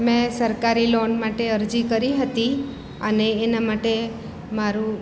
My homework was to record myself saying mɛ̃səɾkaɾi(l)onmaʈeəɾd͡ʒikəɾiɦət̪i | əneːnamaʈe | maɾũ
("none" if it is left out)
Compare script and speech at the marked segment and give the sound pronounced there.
l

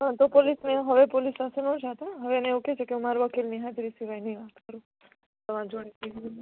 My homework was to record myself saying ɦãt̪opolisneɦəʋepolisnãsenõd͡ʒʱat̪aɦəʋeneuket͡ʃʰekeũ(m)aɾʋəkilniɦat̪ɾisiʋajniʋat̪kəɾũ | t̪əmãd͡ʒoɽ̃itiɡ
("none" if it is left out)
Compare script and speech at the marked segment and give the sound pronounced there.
m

